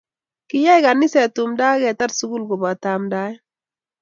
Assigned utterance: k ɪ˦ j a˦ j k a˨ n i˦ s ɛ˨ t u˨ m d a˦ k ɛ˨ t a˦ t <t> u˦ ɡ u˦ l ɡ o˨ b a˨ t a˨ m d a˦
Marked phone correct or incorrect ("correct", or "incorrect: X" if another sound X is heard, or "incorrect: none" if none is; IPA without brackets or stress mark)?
incorrect: s